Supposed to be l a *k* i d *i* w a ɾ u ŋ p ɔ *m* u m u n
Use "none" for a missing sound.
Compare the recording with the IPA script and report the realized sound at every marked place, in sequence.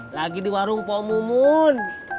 ɡ, i, m

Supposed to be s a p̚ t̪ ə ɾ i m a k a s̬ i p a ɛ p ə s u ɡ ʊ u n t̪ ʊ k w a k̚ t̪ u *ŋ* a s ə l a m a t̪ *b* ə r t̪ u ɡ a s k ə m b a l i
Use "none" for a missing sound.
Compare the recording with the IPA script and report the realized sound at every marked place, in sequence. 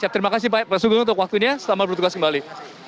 ɲ, b

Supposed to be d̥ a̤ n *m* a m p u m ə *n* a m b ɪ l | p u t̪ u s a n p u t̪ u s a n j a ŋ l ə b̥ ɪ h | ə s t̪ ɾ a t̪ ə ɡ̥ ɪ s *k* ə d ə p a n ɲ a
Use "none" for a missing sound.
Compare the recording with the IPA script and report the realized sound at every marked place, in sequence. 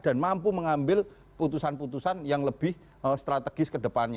m, ŋ, k

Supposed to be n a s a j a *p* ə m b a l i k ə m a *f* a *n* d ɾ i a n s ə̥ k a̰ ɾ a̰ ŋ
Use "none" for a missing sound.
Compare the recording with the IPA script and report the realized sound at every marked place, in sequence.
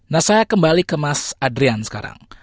k, s, none

